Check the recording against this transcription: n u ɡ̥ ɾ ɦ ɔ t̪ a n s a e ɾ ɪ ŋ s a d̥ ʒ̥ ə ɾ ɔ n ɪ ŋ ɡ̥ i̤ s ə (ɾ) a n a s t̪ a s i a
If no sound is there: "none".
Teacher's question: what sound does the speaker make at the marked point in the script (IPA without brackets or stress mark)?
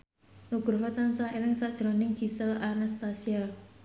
l